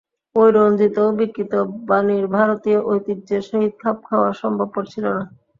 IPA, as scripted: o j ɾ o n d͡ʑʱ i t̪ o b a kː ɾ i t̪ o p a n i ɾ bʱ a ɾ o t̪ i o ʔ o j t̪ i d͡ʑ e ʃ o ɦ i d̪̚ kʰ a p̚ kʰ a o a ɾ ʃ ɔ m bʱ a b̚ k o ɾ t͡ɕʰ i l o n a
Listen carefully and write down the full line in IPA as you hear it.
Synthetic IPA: o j ɾ o n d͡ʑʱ i t̪ o b i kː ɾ i t̪ o b a n i ɾ bʱ a ɾ o t̪ i o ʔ o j t̪ i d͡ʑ e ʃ o ɦ i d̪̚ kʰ a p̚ kʰ a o a ɾ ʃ ɔ m bʱ a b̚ k o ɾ t͡ɕʰ i l o n a